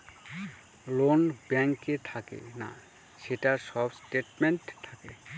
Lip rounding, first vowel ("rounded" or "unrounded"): rounded